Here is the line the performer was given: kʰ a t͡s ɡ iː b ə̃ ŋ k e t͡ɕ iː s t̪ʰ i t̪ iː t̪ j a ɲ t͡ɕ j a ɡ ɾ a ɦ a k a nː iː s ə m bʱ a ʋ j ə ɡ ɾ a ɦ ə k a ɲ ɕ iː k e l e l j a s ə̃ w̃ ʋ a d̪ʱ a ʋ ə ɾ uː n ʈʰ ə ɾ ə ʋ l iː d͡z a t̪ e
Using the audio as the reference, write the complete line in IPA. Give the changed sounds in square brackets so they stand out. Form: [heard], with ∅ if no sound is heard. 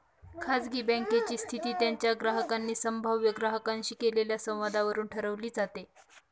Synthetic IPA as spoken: kʰ a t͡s ɡ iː b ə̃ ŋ k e t͡ɕ iː s t̪ʰ i t̪ iː t̪ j a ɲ t͡ɕ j a ɡ ɾ a ɦ [ə] k a nː iː s ə m bʱ a ʋ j ə ɡ ɾ a ɦ ə k a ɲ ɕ iː k e l e l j a s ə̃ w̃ ʋ a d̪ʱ a ʋ ə ɾ uː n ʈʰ ə ɾ ə ʋ l iː d͡z a t̪ e